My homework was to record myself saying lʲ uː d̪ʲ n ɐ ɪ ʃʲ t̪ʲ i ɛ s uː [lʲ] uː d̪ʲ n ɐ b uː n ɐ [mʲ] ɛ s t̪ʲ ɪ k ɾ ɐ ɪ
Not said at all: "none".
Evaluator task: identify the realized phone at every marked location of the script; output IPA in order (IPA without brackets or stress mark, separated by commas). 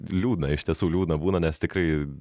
lʲ, nʲ